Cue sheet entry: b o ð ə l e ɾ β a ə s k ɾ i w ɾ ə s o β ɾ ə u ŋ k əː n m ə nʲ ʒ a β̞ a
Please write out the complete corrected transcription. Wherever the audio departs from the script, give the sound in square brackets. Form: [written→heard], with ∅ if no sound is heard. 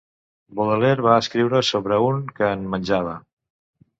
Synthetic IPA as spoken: b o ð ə l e ɾ β a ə s k ɾ i w ɾ ə s o β ɾ ə u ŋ k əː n m ə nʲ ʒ a β̞ [a→ə]